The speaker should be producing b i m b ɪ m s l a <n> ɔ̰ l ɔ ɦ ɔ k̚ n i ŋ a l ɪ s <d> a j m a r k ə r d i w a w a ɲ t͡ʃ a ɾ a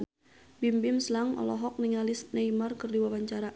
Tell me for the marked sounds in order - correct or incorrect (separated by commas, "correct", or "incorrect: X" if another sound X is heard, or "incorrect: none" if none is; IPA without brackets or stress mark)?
incorrect: ŋ, incorrect: n